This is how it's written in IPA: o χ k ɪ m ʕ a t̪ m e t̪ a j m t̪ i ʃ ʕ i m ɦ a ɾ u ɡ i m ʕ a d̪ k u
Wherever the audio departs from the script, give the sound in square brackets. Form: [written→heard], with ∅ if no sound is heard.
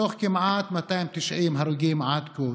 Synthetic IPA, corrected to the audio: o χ k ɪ m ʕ a t̪ m [e→a] t̪ a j m t̪ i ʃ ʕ i m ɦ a ɾ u ɡ i m ʕ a d̪ k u